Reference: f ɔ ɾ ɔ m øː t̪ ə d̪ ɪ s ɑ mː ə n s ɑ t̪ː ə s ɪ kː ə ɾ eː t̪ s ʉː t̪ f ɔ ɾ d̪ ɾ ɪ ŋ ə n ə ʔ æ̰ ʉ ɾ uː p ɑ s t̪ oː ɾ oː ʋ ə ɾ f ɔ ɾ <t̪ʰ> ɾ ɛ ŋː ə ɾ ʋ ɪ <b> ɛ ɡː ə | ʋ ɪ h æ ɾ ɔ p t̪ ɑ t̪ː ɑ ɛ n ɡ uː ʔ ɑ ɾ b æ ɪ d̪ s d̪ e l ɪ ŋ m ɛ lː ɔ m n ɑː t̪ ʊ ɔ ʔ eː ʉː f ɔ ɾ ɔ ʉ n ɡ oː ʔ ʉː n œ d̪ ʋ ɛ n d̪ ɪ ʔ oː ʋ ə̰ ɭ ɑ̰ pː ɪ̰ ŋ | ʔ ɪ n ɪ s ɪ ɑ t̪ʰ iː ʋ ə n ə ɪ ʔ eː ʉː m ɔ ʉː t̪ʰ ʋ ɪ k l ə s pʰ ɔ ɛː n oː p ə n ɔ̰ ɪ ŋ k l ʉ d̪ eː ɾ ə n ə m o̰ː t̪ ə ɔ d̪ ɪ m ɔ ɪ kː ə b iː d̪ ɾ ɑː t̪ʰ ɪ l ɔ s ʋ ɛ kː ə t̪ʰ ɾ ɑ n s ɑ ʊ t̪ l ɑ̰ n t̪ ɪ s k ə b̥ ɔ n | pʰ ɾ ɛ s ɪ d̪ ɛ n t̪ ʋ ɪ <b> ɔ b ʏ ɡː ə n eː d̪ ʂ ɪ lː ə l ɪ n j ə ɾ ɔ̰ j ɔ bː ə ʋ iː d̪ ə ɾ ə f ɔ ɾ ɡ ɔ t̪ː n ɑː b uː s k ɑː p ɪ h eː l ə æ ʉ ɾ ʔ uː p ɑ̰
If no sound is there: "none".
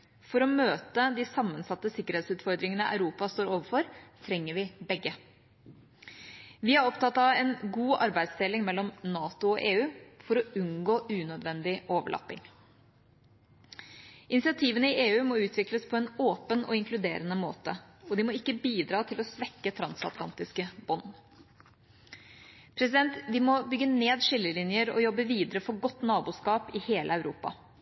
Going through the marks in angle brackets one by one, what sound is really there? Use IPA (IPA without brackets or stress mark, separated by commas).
t̪ʰ, b, m